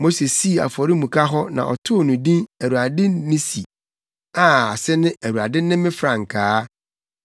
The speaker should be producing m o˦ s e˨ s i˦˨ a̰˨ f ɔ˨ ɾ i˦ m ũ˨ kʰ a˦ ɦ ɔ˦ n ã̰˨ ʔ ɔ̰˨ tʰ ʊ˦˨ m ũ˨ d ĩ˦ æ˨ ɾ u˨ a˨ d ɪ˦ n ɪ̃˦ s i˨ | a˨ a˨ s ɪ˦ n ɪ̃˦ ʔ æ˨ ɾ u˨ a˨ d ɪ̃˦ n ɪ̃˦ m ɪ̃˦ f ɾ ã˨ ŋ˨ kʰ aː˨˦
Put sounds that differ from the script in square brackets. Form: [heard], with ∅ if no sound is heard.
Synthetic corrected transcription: m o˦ s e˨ s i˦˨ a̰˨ f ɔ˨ ɾ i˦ m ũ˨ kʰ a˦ ɦ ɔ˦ n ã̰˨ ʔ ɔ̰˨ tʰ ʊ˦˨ [n] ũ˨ d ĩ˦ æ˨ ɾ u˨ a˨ d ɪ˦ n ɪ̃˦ s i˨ | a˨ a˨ s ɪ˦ n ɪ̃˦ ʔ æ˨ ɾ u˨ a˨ d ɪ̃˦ n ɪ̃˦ m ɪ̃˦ f ɾ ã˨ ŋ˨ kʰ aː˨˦

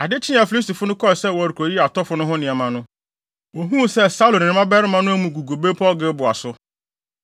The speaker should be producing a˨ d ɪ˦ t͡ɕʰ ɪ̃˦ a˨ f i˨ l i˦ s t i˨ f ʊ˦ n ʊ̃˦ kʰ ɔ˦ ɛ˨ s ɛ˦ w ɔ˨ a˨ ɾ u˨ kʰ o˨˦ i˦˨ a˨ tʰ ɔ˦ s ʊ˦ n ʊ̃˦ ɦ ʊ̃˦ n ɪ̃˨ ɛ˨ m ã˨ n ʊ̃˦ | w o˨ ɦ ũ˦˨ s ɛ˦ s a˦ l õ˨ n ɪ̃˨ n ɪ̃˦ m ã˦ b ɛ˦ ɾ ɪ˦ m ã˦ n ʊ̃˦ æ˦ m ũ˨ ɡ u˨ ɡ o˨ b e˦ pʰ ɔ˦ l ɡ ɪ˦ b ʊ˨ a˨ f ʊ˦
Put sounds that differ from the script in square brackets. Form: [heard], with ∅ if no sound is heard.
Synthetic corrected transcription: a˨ d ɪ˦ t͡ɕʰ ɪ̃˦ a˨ f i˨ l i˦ s t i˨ f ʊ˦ n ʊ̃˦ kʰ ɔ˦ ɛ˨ s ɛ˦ w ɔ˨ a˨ ɾ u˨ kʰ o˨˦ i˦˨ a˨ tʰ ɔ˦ [f] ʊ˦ n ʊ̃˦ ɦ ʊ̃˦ n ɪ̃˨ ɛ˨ m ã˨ n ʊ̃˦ | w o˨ ɦ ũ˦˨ s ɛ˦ s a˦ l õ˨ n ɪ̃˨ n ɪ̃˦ m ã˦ b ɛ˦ ɾ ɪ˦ m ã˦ n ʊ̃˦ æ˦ m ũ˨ ɡ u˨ ɡ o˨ b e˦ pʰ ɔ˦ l ɡ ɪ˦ b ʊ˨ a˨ [s] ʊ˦

